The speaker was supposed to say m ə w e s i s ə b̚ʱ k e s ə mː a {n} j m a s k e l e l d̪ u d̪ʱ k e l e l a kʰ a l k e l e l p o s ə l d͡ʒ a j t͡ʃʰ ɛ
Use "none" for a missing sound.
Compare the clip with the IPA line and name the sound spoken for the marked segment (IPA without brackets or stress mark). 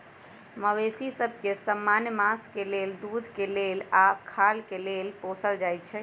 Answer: n